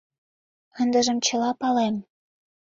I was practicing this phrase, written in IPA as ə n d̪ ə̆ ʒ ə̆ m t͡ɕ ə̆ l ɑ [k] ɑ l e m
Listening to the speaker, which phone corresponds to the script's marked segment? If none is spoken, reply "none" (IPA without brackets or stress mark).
p